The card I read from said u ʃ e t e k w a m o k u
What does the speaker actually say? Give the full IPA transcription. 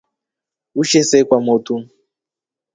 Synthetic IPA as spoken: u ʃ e s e k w a m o t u